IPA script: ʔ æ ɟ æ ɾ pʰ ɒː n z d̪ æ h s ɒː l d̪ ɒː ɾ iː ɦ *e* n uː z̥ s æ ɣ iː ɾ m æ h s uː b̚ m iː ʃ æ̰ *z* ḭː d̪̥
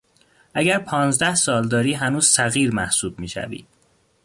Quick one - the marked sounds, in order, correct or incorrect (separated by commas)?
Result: incorrect, incorrect